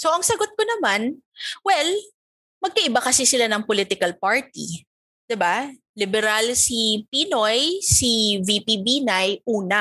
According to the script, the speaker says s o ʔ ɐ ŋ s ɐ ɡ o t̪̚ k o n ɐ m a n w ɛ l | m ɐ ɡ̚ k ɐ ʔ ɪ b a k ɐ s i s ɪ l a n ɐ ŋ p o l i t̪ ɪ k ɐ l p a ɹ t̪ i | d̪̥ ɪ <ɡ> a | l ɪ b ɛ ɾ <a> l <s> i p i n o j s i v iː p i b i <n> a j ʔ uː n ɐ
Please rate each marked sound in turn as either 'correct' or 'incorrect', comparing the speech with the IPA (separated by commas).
incorrect, correct, correct, correct